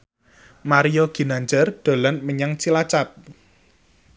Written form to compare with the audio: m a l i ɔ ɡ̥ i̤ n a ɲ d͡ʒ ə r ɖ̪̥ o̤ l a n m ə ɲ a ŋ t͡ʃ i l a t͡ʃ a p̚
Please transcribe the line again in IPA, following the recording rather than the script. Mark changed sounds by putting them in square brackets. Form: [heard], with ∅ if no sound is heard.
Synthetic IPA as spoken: m a [ɾ] i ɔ ɡ̥ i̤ n a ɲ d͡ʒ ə r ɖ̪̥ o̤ l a n m ə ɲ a ŋ t͡ʃ i l a t͡ʃ a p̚